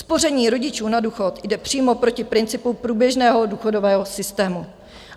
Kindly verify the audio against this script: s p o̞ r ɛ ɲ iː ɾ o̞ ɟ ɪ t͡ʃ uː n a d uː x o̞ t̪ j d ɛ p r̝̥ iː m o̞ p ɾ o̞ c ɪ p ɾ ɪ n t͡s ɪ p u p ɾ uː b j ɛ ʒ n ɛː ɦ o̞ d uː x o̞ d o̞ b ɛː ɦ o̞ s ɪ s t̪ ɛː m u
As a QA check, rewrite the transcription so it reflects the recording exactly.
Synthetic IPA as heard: s p o̞ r ɛ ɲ iː ɾ o̞ ɟ ɪ t͡ʃ uː n a d uː x o̞ t̪ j d ɛ p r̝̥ iː m o̞ p ɾ o̞ c ɪ p ɾ ɪ n t͡s ɪ p u p ɾ uː b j ɛ ʒ n ɛː ɦ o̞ d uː x o̞ d o̞ v ɛː ɦ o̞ s ɪ s t̪ ɛː m u